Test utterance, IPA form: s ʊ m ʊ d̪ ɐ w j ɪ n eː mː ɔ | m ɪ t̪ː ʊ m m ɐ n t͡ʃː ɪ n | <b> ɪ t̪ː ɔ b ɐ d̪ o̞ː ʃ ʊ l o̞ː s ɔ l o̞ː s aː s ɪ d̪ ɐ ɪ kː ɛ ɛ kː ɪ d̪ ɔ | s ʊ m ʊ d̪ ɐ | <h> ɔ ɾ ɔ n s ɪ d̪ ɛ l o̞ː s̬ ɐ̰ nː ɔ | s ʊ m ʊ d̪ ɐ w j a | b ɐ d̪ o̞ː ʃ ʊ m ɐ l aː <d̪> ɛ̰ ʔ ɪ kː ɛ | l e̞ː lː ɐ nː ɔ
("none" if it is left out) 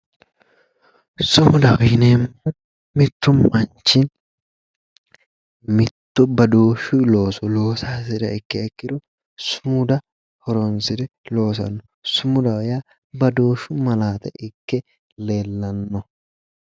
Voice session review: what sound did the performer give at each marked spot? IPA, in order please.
m, h, t̪

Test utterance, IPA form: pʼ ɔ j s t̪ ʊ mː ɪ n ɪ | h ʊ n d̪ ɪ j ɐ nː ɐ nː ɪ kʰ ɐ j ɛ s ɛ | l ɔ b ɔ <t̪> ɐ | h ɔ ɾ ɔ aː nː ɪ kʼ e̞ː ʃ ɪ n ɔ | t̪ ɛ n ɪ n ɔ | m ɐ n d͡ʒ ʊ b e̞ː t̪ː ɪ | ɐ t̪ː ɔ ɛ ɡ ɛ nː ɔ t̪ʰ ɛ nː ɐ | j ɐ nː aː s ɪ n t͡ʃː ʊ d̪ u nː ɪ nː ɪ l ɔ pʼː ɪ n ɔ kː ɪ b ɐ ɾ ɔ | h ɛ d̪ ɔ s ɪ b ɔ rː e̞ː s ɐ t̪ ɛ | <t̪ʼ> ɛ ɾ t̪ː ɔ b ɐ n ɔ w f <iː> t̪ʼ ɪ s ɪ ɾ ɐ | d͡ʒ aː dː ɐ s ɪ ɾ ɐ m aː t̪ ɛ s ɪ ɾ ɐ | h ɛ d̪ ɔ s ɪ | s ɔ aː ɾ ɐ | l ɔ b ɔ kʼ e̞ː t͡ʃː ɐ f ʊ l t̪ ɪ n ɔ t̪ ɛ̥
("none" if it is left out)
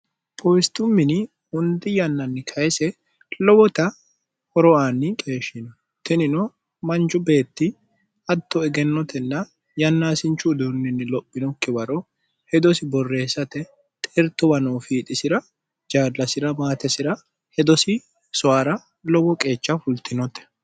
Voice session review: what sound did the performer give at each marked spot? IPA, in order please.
t̪, t̪ʼ, iː

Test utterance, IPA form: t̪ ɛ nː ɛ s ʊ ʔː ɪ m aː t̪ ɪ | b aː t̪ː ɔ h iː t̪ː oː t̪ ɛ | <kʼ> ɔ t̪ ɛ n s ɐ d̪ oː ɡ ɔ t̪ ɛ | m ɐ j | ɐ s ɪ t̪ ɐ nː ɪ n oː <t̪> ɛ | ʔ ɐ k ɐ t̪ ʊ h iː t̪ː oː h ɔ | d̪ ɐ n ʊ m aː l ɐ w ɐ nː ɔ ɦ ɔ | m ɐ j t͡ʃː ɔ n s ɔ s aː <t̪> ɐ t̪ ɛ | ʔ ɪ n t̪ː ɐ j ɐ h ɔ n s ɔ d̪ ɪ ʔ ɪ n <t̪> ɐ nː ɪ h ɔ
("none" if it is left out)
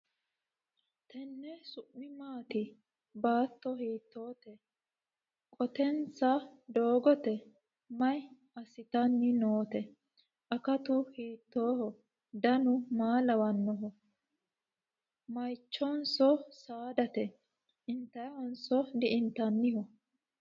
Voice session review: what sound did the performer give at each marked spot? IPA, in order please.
kʼ, t̪, d̪, t̪

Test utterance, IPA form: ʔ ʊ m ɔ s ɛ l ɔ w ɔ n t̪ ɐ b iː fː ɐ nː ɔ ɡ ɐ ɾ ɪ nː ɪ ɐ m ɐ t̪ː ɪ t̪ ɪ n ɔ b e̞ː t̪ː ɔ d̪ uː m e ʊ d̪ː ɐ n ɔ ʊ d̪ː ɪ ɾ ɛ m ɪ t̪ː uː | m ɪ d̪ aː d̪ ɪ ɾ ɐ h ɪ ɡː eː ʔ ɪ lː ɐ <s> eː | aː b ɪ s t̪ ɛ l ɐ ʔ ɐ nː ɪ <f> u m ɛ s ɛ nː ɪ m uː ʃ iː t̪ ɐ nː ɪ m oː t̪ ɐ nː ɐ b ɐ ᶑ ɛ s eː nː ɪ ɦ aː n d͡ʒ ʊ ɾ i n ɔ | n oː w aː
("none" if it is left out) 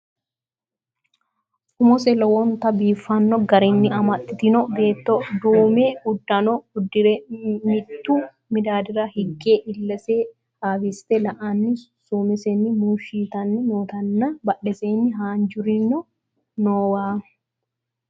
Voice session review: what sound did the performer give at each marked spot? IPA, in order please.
s, s

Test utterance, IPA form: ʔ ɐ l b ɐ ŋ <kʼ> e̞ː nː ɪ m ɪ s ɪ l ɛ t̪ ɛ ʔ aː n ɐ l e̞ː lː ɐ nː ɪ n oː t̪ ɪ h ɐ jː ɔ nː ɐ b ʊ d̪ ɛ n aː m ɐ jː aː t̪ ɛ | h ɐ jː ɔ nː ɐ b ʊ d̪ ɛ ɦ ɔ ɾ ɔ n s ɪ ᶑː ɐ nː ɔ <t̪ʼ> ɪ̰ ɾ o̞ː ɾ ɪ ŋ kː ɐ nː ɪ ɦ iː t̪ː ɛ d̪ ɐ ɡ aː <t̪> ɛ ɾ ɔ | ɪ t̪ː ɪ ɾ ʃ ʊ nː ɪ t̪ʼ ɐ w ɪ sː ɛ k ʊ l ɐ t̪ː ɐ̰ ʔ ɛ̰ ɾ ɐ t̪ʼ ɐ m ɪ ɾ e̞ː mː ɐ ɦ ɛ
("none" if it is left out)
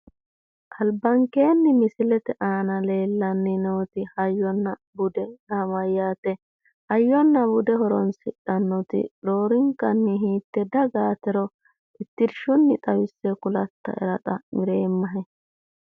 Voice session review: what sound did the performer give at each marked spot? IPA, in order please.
k, t̪, t̪

